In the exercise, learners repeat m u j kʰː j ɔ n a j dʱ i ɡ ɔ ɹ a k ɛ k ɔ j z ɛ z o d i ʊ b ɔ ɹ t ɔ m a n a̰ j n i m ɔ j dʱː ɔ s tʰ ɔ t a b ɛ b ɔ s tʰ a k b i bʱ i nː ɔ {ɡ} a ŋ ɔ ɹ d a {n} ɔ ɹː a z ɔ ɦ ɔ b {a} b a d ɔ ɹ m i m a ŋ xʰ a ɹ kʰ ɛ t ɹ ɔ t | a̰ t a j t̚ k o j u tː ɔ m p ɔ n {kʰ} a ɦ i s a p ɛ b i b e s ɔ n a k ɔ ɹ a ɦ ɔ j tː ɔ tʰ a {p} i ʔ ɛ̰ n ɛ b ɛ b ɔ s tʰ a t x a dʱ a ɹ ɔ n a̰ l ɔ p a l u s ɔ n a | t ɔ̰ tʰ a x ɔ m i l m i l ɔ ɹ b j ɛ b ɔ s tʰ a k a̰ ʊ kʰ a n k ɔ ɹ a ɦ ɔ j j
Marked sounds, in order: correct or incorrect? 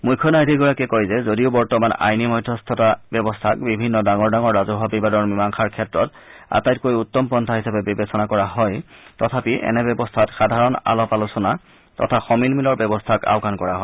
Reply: incorrect: d, incorrect: ŋ, incorrect: i, incorrect: tʰ, correct

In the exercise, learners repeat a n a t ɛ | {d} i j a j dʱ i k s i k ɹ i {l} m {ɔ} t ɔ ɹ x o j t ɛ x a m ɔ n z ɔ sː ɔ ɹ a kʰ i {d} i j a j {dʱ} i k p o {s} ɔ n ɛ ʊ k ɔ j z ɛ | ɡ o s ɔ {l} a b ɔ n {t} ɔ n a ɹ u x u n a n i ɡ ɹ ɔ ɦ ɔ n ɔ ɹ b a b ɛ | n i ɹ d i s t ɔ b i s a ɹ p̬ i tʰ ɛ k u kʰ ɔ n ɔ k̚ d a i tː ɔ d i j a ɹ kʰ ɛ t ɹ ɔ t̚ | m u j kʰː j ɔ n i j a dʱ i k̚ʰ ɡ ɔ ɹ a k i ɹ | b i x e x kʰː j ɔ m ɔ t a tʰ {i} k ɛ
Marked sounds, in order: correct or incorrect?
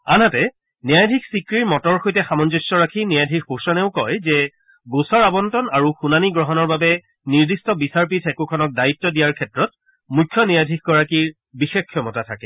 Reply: incorrect: n, incorrect: ɹ, correct, incorrect: n, correct, correct, incorrect: ɹ, correct, incorrect: a

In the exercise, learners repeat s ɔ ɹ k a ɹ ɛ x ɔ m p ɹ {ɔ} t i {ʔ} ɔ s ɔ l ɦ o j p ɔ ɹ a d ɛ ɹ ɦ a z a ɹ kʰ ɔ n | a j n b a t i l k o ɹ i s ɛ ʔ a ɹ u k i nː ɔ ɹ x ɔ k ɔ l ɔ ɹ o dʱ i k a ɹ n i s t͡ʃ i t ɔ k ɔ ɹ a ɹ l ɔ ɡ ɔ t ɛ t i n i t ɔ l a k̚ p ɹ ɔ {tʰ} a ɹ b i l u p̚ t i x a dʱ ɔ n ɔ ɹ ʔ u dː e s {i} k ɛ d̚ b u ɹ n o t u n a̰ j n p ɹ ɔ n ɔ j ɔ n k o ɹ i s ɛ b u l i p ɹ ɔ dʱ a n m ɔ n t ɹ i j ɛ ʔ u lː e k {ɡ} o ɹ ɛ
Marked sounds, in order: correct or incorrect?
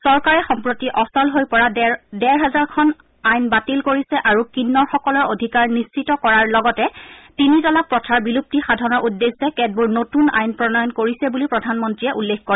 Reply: incorrect: o, correct, correct, incorrect: ɛ, incorrect: k

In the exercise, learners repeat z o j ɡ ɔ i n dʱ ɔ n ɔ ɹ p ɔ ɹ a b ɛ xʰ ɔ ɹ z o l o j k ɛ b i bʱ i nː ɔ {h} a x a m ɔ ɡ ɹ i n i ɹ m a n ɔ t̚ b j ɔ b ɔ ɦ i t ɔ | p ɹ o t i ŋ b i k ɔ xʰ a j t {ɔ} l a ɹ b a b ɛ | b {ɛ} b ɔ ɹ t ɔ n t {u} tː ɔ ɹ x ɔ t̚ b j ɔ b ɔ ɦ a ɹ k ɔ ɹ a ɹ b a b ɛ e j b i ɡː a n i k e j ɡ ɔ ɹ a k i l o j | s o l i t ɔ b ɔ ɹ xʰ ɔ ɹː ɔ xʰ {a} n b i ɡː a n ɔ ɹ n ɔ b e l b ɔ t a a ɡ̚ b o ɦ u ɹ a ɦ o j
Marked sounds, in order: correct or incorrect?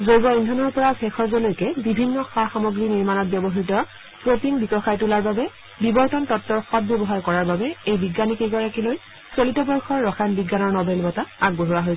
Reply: incorrect: x, incorrect: u, incorrect: i, incorrect: ɔ, correct

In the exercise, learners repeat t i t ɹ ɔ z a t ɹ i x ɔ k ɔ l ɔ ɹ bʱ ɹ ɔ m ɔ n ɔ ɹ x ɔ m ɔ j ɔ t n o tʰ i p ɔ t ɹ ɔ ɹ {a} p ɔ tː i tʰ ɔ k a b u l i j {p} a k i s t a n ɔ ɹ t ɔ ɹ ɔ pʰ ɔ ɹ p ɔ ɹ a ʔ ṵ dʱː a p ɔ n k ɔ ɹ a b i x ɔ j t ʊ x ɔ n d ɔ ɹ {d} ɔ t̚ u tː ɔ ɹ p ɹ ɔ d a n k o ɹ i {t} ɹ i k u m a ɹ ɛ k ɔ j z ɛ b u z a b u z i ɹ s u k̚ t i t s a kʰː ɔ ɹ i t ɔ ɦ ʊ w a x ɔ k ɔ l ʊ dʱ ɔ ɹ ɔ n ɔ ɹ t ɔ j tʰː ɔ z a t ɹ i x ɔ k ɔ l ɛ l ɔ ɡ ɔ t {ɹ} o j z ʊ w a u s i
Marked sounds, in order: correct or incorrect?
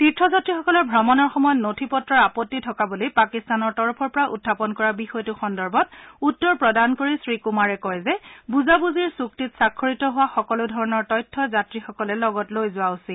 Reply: correct, correct, incorrect: b, incorrect: s, incorrect: l

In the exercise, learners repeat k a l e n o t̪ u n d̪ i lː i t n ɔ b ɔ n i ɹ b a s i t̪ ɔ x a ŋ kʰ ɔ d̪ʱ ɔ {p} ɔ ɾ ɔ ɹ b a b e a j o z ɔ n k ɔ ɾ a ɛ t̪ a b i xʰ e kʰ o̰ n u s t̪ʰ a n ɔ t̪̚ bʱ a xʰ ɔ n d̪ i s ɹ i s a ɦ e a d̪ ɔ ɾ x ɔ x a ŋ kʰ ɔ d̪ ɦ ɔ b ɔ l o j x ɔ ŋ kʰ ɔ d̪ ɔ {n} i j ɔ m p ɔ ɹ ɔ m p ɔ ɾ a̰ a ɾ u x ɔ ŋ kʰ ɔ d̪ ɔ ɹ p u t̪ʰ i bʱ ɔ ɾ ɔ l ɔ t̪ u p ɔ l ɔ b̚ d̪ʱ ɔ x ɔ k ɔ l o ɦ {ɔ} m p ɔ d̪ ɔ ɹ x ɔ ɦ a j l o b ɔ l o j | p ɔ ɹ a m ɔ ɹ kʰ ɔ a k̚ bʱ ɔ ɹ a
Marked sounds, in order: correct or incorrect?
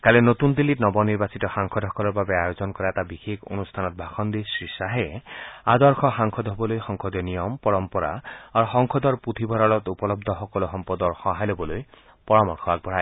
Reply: incorrect: k, correct, correct

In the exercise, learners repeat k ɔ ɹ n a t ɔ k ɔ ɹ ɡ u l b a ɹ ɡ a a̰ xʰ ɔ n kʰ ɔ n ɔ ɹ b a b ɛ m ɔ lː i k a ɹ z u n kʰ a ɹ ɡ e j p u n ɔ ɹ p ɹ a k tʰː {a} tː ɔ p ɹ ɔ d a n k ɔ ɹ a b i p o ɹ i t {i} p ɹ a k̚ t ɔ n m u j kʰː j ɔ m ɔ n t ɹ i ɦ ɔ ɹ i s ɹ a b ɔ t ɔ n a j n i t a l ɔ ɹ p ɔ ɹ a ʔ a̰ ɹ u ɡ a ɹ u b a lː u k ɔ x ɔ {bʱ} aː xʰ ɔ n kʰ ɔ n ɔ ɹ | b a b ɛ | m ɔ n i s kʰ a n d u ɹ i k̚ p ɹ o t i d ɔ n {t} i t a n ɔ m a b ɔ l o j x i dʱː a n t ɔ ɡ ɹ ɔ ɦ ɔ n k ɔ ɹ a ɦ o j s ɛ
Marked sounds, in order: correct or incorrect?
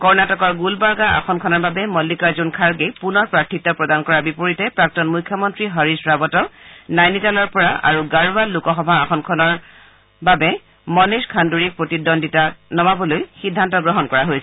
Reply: incorrect: i, incorrect: ɛ, correct, incorrect: d

